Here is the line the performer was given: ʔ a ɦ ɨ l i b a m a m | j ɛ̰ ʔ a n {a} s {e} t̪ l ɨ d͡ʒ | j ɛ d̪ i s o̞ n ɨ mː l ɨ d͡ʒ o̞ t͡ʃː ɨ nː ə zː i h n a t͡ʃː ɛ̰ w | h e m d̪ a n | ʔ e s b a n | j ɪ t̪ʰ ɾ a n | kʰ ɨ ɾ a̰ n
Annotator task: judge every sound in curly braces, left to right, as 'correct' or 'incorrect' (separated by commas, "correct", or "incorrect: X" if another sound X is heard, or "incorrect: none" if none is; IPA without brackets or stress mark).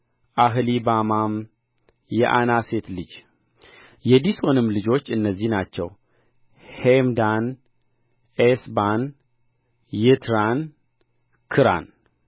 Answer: correct, correct